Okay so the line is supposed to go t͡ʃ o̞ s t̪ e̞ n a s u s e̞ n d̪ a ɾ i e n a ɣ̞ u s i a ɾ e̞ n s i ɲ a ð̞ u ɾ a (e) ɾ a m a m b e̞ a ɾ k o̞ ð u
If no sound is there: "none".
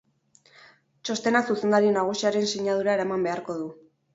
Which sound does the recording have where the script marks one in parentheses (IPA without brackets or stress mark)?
e